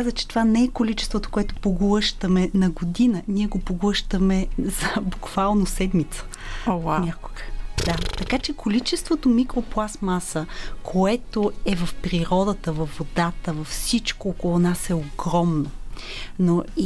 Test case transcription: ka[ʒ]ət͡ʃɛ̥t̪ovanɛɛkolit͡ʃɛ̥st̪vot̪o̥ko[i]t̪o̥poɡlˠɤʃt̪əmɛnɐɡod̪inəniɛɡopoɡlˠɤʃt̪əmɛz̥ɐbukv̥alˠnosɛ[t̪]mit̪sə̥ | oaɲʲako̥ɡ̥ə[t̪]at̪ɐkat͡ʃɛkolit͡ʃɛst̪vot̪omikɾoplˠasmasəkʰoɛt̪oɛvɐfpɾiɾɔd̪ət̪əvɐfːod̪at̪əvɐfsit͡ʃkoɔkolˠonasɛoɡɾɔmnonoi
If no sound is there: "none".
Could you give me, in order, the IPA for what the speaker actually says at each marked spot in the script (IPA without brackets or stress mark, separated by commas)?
z, ɛ, d̪, d̪